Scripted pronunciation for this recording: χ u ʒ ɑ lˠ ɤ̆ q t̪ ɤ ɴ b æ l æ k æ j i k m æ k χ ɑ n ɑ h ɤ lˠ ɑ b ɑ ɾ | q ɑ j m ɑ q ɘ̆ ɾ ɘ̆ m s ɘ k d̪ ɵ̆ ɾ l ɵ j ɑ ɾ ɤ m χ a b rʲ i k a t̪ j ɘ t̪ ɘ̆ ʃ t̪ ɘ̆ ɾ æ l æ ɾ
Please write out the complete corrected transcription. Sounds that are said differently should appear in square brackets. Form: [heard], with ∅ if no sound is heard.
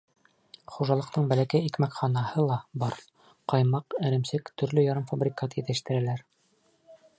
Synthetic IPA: χ u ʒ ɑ lˠ ɤ̆ q t̪ ɤ ɴ b æ l æ k æ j i k m æ k χ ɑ n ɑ h ɤ lˠ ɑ b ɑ ɾ | q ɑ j m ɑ q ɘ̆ ɾ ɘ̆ m s ɘ k [t̪] ɵ̆ ɾ l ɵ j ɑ ɾ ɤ m [f] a b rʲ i k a t̪ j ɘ t̪ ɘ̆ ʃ t̪ ɘ̆ ɾ æ l æ ɾ